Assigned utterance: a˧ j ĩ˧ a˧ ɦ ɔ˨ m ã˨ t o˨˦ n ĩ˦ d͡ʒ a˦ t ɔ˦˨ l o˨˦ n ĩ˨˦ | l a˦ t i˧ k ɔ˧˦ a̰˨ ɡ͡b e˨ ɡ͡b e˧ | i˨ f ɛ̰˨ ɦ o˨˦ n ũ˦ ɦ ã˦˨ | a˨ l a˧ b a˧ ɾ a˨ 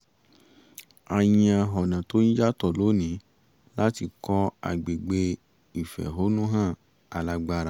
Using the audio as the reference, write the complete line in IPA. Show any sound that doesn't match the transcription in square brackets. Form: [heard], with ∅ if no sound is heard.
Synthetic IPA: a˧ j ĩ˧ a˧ ɦ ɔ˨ [n] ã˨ t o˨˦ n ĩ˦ d͡ʒ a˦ t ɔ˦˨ l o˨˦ n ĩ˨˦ | l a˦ t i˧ k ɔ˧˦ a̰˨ ɡ͡b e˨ ɡ͡b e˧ | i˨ f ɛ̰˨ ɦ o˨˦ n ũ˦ ɦ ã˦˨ | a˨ l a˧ [ɡ͡b] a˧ ɾ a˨